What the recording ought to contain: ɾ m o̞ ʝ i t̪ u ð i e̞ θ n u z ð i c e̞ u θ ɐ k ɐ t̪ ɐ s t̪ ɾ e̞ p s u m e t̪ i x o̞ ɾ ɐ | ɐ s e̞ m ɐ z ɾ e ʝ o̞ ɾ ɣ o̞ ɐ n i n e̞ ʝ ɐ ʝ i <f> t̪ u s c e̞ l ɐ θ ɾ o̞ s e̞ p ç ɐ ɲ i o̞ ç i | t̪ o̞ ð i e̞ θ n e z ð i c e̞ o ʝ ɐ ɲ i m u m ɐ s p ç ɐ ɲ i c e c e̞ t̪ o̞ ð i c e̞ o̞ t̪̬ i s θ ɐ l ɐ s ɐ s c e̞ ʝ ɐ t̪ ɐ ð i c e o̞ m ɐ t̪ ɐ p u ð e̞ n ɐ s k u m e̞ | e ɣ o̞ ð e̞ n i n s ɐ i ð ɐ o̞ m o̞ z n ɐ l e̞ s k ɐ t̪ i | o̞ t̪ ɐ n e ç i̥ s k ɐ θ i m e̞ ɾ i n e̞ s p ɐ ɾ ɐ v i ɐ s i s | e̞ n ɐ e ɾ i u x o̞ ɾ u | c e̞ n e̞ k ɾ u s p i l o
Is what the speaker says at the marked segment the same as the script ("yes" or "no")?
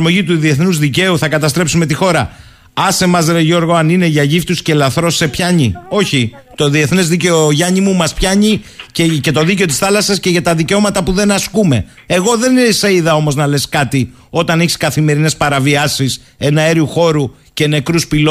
yes